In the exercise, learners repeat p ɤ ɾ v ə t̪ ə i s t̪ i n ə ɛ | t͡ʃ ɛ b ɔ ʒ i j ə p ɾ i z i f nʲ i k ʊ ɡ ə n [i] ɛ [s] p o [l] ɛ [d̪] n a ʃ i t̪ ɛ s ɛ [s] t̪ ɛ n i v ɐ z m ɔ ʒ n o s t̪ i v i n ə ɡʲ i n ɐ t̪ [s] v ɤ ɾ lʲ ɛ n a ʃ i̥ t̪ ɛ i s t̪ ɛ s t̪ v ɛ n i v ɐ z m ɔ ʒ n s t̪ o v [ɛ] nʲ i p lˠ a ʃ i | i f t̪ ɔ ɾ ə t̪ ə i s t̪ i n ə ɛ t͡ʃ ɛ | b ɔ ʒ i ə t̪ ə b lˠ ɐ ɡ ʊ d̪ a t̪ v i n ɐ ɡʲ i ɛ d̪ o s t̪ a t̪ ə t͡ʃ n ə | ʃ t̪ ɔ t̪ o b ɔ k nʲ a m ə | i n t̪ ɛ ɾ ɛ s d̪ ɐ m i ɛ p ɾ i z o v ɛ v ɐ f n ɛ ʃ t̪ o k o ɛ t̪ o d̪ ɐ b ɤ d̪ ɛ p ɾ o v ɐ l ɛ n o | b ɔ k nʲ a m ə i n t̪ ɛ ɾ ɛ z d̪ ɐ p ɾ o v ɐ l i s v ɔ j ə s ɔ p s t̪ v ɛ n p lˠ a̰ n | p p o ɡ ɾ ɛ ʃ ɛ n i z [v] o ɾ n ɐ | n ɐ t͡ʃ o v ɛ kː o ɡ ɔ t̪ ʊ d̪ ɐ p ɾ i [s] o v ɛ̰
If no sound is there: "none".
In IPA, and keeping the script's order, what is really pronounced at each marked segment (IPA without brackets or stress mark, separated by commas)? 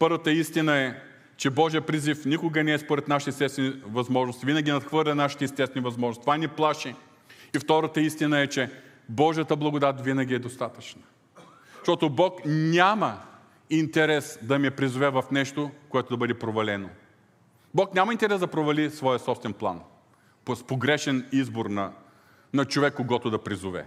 ɛ, s, ɾ, t̪, s, x, a, b, z